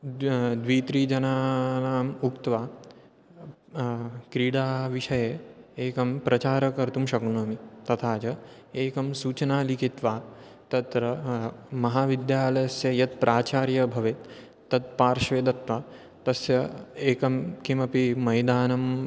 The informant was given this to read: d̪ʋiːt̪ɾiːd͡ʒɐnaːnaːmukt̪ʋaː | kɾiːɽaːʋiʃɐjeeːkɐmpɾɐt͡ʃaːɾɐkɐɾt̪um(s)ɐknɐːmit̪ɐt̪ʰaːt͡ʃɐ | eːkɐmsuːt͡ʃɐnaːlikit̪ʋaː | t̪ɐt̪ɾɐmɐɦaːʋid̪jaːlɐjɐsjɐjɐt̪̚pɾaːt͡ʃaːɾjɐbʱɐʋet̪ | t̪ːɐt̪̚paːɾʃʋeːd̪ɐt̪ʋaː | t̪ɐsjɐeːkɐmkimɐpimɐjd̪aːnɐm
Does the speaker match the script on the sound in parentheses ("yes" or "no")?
no